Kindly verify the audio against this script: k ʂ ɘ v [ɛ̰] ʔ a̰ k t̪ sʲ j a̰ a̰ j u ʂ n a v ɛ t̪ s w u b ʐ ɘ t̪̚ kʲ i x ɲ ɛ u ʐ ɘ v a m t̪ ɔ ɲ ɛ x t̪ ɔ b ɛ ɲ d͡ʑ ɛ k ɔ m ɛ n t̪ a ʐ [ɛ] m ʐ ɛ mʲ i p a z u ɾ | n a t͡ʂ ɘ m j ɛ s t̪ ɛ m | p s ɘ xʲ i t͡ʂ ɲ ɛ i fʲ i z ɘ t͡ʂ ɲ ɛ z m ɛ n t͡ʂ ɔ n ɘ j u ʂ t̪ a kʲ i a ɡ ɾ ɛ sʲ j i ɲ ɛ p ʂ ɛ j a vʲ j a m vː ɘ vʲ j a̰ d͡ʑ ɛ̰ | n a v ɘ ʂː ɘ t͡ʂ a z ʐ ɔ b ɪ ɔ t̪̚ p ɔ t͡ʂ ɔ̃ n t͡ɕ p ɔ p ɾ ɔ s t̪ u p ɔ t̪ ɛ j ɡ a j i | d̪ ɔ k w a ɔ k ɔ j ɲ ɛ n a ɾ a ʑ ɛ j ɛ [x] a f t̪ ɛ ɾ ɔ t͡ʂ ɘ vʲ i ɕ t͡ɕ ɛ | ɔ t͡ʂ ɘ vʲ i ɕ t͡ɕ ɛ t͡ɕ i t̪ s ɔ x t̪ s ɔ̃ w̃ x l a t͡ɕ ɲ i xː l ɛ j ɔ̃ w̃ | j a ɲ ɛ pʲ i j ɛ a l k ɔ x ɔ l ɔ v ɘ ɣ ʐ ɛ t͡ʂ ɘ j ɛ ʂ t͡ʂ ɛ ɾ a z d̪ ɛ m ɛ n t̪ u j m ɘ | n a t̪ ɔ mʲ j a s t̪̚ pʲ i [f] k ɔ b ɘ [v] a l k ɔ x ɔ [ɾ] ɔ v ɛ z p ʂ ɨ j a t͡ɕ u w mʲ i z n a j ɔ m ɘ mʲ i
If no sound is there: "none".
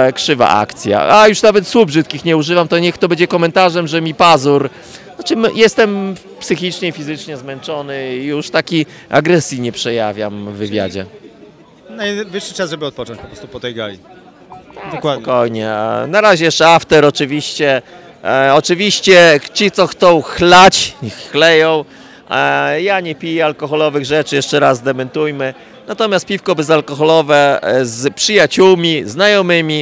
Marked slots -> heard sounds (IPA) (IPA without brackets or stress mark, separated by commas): a̰, ɛ, ʂ, f, z, l